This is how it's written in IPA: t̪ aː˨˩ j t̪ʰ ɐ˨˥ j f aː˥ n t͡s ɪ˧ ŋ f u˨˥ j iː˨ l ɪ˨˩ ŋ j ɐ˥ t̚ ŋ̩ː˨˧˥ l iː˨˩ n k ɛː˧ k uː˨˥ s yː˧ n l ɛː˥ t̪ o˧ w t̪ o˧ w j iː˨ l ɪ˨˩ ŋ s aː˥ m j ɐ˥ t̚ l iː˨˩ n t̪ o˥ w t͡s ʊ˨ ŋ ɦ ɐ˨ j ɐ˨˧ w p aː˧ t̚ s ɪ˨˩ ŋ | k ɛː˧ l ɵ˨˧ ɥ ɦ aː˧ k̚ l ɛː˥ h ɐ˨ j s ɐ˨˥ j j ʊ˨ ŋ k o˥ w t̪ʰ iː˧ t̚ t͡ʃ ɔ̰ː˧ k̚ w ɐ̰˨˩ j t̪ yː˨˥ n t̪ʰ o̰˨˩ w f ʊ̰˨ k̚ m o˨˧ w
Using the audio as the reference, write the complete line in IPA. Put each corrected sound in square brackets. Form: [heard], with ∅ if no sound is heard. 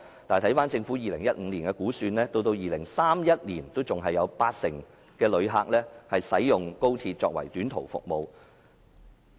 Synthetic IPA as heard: t̪ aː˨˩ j t̪ʰ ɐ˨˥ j f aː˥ n t͡s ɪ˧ ŋ f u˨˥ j iː˨ l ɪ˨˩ ŋ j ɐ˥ t̚ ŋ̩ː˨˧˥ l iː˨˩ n k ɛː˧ k uː˨˥ s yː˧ n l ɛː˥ t̪ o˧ w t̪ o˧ w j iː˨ l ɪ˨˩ ŋ s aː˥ m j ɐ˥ t̚ l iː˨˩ n t̪ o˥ w t͡s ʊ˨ ŋ ɦ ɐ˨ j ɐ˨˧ w p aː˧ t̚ s ɪ˨˩ ŋ | k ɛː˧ l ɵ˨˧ ɥ ɦ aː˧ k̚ l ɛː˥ h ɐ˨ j s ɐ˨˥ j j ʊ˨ ŋ k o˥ w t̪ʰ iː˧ t̚ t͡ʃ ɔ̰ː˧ k̚ w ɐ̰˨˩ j t̪ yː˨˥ n t̪ʰ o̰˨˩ w f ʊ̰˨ k̚ m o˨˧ w